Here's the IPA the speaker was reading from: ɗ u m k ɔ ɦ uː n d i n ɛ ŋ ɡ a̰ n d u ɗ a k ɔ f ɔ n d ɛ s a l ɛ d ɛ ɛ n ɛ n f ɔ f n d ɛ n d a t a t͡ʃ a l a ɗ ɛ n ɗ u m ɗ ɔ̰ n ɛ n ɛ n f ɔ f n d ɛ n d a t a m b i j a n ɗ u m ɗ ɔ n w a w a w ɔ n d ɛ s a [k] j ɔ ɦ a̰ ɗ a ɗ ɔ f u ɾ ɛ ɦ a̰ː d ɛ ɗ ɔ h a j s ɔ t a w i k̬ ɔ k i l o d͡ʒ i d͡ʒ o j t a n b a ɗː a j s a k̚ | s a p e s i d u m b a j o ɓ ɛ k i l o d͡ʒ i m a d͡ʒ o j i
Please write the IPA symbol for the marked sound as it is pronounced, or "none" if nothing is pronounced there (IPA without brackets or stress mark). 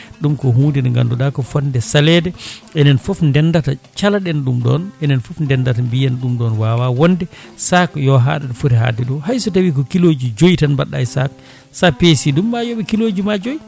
k